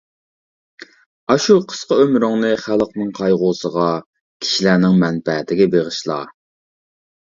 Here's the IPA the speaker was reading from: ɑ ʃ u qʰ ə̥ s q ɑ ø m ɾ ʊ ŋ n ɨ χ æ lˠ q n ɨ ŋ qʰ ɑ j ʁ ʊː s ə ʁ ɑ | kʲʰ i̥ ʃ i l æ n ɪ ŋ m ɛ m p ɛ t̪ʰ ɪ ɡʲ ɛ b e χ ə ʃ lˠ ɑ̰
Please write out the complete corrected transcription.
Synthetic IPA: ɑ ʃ u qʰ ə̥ s q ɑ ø m ɾ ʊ ŋ n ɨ χ æ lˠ q n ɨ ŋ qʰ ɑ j ʁ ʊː s ə ʁ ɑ | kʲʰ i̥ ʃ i l æ n ɪ ŋ m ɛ n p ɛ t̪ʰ ɪ ɡʲ ɛ b e ʁ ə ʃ lˠ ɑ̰